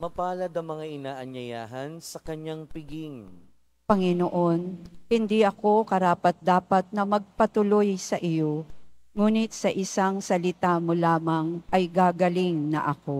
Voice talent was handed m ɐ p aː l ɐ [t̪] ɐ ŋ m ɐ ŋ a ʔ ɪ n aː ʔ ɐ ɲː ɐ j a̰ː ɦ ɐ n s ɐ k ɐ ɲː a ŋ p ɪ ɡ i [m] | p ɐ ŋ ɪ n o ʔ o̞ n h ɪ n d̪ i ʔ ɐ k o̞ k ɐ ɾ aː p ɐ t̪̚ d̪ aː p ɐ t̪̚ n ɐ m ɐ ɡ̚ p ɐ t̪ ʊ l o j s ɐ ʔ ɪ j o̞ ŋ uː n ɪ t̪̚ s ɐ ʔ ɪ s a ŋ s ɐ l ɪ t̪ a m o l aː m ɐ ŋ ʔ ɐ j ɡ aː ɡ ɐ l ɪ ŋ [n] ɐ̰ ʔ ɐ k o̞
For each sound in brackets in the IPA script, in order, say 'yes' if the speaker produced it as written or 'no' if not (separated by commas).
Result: no, no, yes